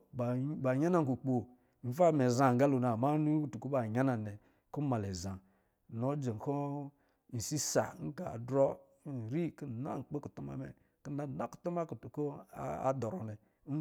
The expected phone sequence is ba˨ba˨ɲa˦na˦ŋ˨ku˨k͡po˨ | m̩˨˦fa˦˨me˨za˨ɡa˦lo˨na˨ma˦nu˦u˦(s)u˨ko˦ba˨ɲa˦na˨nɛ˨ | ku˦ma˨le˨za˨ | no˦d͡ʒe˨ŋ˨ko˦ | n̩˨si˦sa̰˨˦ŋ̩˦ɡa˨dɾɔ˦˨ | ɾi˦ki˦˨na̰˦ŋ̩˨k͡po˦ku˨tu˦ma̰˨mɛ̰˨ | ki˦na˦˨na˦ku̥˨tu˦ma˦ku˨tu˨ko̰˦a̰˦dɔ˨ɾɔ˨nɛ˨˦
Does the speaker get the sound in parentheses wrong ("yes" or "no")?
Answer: yes